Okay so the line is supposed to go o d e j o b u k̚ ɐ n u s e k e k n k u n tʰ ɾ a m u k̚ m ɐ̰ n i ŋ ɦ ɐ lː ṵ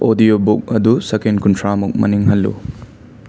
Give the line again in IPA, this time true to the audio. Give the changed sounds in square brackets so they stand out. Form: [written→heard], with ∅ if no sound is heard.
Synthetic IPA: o d [e→i] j o b u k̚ ɐ [n→d] u s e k e [k→∅] n k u n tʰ ɾ a m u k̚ m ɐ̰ n i ŋ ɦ ɐ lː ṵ